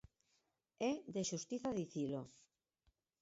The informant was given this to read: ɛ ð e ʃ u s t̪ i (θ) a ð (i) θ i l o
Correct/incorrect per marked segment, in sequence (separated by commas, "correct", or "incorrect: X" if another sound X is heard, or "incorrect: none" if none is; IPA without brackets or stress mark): correct, correct